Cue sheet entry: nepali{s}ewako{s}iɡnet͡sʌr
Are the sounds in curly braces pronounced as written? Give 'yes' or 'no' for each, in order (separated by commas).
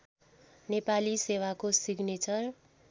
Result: yes, yes